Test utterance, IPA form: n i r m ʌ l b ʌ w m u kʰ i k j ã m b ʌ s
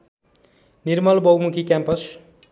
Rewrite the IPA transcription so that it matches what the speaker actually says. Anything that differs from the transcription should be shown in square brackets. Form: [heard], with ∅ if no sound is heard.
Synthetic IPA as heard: n i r m ʌ l b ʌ w m u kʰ i k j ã m [p] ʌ s